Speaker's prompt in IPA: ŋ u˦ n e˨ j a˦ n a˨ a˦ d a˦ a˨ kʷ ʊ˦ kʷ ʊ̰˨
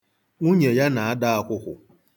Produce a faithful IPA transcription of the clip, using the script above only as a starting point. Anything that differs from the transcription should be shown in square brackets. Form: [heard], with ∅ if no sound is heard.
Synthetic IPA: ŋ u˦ [ɲ] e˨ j a˦ n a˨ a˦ d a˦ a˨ kʷ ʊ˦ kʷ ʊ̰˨